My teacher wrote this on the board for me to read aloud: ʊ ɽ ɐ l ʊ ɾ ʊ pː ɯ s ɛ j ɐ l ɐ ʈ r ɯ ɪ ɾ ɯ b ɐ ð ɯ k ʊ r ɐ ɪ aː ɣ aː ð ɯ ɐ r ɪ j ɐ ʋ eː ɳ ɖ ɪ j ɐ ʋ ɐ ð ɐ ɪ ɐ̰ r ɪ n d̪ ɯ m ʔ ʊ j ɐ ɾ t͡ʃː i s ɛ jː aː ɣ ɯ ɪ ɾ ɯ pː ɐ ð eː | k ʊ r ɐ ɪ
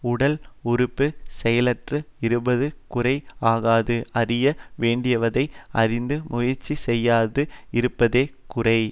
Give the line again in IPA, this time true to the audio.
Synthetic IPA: ʊ ɽ ɐ l ʊ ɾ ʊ pː ɯ s ɛ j ɐ l ɐ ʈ r ɯ ɪ ɾ ɯ b ɐ ð ɯ k ʊ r ɐ ɪ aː ɣ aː ð ɯ ɐ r ɪ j ɐ ʋ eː ɳ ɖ ɪ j ɐ ʋ ɐ ð ɐ ɪ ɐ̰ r ɪ n d̪ ɯ m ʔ ʊ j ɐ ɾ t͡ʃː i s ɛ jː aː ð ɯ ɪ ɾ ɯ pː ɐ ð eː | k ʊ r ɐ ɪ